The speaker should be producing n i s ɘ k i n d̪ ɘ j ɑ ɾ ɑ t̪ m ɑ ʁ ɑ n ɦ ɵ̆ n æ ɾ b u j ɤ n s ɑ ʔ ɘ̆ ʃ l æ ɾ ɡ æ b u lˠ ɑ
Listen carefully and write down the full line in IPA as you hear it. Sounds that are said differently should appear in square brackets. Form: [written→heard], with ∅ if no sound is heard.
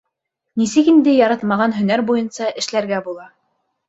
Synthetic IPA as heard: n i s ɘ k i n d̪ ɘ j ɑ ɾ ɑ t̪ m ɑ ʁ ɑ n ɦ ɵ̆ n æ ɾ b u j ɤ n s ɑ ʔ ɘ̆ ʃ l æ ɾ ɡ æ b u lˠ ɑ

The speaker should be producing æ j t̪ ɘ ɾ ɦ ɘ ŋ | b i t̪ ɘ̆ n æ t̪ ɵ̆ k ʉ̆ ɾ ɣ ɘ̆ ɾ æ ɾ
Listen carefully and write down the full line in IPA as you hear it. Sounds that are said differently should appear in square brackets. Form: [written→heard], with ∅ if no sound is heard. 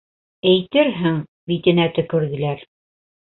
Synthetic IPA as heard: æ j t̪ ɘ ɾ ɦ ɘ ŋ | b i t̪ ɘ̆ n æ t̪ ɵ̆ k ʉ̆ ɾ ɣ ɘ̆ [ɾ→l] æ ɾ

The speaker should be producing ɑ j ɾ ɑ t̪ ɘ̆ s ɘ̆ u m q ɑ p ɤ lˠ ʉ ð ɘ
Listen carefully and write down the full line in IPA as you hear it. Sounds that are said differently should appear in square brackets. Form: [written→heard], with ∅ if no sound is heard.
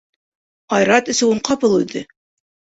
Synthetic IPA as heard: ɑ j ɾ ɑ t̪ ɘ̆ s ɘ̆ u [m→ɴ] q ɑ p ɤ lˠ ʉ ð ɘ

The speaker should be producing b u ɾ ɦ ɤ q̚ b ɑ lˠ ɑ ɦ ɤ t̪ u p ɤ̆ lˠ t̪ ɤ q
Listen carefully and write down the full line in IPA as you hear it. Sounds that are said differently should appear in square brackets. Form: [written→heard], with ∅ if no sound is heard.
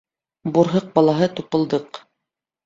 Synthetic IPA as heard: b u ɾ ɦ ɤ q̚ b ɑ lˠ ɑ ɦ ɤ t̪ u p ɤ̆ lˠ [t̪→d̪] ɤ q

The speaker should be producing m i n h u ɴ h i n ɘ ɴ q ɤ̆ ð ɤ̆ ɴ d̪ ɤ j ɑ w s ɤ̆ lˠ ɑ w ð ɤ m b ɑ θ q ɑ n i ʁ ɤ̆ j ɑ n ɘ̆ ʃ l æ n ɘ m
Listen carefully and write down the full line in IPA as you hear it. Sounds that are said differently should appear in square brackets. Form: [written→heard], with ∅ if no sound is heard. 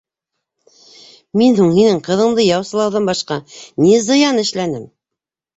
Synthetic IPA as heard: m i n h u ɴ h i n ɘ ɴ q ɤ̆ ð ɤ̆ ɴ d̪ ɤ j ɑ w s ɤ̆ lˠ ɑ w ð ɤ m b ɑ [θ→ʃ] q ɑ n i [ʁ→z] ɤ̆ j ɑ n ɘ̆ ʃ l æ n ɘ m

